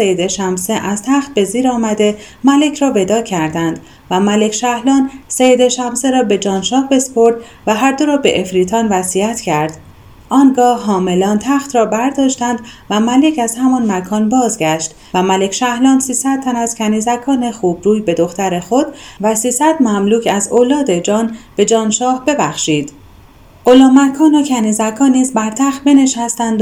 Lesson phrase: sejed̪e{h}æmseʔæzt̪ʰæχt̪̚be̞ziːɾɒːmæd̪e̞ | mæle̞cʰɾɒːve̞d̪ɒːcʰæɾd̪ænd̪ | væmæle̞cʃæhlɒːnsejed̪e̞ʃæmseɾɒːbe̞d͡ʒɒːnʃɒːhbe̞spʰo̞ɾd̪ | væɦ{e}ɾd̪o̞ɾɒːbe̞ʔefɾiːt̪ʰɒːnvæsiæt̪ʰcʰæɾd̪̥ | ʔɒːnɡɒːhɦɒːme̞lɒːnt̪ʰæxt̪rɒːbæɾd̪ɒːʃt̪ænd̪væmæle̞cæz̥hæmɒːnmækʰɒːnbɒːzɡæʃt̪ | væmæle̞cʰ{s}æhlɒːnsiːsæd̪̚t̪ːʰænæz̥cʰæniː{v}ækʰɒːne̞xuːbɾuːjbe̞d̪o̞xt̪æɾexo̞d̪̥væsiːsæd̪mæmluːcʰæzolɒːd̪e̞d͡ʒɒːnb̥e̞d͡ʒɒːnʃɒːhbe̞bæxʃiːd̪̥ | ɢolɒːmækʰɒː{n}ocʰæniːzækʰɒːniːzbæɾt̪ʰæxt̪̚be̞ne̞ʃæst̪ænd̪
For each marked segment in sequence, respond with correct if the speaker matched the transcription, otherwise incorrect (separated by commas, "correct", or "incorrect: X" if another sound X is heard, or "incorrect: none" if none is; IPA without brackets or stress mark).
incorrect: ʃ, incorrect: æ, incorrect: ʃ, incorrect: z, correct